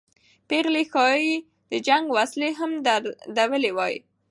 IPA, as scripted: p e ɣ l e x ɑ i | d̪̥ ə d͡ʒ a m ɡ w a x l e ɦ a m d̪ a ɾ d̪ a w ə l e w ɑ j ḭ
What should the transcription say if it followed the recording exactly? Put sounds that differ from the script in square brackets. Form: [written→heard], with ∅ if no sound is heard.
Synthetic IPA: p e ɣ l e x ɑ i | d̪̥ ə d͡ʒ a [m→ŋ] ɡ w a [x→s] l e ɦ a m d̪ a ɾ d̪ a w ə l e w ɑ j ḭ